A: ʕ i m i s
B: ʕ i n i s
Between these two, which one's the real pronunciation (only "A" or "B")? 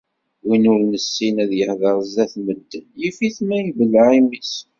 A